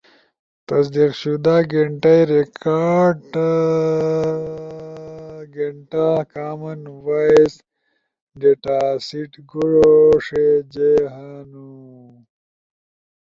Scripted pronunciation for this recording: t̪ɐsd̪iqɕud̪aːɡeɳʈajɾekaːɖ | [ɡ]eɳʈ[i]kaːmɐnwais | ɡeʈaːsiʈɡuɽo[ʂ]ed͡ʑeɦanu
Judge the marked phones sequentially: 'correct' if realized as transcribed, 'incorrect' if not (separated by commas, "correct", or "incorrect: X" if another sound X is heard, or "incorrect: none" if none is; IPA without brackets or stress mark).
correct, incorrect: a, correct